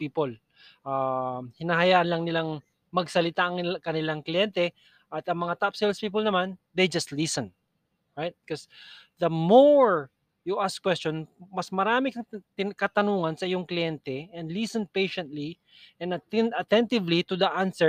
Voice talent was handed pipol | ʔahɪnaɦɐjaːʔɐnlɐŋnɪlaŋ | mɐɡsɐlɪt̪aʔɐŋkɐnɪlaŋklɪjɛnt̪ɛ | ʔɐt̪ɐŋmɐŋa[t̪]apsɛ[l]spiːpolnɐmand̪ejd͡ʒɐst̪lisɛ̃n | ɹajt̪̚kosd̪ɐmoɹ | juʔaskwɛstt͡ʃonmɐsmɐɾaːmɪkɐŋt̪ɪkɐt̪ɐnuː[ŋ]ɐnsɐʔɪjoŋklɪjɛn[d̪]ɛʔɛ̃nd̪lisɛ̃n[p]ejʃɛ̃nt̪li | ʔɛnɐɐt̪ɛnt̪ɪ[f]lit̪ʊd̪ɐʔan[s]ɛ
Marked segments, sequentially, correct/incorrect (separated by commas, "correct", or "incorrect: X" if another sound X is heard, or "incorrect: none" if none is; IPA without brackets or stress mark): correct, correct, correct, incorrect: t̪, correct, incorrect: v, correct